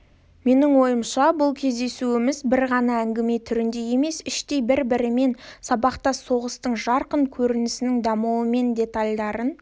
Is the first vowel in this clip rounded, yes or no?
no